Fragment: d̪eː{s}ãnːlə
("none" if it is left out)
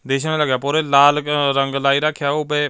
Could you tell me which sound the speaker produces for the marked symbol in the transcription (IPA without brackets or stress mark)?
ʃ